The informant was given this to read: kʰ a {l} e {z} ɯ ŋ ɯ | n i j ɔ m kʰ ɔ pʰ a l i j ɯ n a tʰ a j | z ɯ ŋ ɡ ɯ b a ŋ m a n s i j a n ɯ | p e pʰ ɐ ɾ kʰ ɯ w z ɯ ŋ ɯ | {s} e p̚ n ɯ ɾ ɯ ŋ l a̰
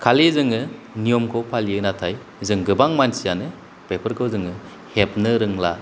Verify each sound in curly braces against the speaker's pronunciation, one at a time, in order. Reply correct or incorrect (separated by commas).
correct, correct, incorrect